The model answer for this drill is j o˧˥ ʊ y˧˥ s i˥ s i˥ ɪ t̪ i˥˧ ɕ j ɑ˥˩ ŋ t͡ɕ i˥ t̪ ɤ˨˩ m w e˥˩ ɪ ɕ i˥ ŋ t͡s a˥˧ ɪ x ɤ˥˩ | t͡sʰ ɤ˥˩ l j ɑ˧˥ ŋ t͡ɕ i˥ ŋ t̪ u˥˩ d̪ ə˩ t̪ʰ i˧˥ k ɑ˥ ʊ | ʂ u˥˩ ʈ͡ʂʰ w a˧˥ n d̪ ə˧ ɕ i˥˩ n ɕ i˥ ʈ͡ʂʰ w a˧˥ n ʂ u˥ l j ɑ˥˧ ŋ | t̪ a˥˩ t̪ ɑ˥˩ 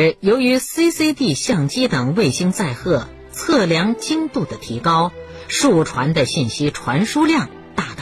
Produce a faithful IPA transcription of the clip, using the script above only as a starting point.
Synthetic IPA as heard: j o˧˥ ʊ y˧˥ s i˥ s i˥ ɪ t̪ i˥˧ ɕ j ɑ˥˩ ŋ t͡ɕ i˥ t̪ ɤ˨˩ ŋ w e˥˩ ɪ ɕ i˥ ŋ t͡s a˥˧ ɪ x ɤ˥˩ | t͡sʰ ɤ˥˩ l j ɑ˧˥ ŋ t͡ɕ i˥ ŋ t̪ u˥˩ d̪ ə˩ t̪ʰ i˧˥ k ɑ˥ ʊ | ʂ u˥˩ ʈ͡ʂʰ w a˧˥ n d̪ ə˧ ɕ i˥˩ n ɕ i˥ ʈ͡ʂʰ w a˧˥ n ʂ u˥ l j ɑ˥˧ ŋ | t̪ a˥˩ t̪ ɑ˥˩